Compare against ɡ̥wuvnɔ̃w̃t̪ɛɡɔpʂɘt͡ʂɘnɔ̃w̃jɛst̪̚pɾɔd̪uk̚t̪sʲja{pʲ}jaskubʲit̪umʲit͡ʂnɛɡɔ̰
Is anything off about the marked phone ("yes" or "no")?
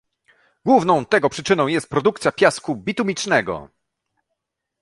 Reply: no